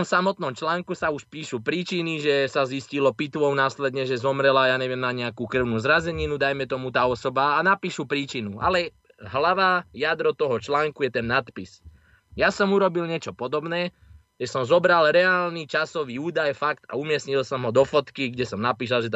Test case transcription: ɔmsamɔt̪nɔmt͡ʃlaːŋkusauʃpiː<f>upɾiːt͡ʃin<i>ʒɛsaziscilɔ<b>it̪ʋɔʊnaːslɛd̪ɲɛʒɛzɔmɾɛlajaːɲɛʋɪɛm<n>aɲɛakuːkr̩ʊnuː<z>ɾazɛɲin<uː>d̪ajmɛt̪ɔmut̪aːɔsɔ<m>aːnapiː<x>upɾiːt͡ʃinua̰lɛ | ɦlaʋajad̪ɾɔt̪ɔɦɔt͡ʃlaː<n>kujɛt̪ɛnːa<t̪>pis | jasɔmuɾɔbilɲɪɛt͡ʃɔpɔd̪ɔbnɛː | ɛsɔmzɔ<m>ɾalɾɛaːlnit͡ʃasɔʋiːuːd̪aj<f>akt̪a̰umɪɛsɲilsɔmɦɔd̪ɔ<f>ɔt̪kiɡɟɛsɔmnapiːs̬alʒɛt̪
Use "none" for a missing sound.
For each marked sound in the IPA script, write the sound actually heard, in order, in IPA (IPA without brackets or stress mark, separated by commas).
ʃ, i, p, n, z, u, b, ʃ, ŋ, t̪, b, f, f